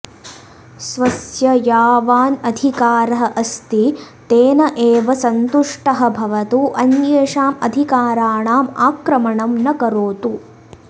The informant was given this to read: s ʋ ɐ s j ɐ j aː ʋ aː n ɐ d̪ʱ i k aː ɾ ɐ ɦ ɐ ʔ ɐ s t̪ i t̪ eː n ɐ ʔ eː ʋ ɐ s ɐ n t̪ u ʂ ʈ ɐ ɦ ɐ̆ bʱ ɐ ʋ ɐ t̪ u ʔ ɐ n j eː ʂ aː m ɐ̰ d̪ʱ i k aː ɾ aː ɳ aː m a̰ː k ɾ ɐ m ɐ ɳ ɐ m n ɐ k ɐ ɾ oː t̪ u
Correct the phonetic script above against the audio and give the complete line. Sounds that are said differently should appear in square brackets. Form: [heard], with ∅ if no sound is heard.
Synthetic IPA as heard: s ʋ ɐ s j ɐ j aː ʋ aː n ɐ d̪ʱ i k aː ɾ ɐ ɦ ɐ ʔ ɐ s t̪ i t̪ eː n ɐ ʔ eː ʋ ɐ s ɐ n t̪ u ʂ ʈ ɐ ɦ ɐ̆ bʱ ɐ ʋ ɐ t̪ u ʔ ɐ n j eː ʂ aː m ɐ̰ d̪ʱ i k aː ɾ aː ɳ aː m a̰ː k ɾ ɐ m ɐ ɳ ɐ m n ɐ k ɐ ɾ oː t̪ u